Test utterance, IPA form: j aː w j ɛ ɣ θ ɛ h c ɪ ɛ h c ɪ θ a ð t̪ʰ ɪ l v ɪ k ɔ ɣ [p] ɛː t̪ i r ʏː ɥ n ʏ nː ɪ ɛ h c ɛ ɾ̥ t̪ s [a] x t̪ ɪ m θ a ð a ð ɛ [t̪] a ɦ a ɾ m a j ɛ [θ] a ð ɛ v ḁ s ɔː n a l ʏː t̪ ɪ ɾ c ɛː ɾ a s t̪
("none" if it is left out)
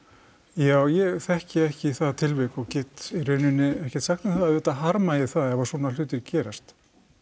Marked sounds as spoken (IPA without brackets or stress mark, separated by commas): c, a, t̪, θ